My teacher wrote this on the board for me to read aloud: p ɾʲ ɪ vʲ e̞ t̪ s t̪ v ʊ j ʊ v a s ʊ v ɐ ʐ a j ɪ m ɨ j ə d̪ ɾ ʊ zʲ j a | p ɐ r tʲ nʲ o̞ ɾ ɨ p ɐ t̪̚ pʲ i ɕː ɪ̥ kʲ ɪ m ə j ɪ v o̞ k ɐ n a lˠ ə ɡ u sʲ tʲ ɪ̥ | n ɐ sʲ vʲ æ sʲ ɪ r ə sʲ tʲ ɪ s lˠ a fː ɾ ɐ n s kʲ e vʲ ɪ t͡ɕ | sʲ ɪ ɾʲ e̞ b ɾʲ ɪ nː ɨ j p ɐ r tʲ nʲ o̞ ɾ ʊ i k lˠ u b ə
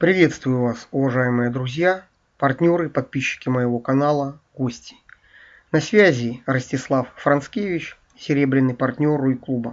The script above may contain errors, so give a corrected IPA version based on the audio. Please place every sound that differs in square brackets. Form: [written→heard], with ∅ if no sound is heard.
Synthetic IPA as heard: p ɾʲ ɪ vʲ e̞ t̪ s t̪ v ʊ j ʊ v a s ʊ v ɐ ʐ a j ɪ m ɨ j ə d̪ ɾ ʊ zʲ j a | p ɐ r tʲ nʲ o̞ ɾ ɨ p ɐ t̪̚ pʲ i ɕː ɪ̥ kʲ ɪ m ə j ɪ v o̞ k ɐ n a lˠ ə ɡ [u→o] sʲ tʲ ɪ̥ | n ɐ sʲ vʲ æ [sʲ→zʲ] ɪ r ə sʲ tʲ ɪ s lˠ a fː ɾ ɐ n s kʲ e vʲ ɪ t͡ɕ | sʲ ɪ ɾʲ e̞ b ɾʲ ɪ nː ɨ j p ɐ r tʲ nʲ o̞ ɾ ʊ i k lˠ u b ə